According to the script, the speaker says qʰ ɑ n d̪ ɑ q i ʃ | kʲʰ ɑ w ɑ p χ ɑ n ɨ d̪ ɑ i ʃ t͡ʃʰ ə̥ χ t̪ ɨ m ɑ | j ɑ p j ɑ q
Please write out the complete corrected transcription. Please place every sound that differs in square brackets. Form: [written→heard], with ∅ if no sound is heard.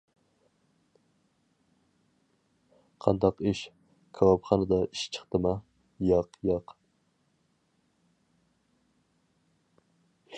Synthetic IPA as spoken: qʰ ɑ n d̪ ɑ q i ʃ | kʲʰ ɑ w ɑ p χ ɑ n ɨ d̪ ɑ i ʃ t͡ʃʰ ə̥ χ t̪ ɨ m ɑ | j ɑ [p→q] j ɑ q